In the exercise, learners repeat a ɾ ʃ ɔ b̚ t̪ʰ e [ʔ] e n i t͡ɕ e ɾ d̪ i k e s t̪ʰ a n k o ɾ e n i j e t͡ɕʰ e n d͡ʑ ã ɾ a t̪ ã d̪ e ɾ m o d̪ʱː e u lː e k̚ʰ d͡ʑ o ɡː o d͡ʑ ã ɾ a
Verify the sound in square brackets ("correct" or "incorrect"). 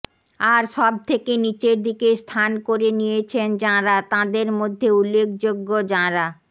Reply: incorrect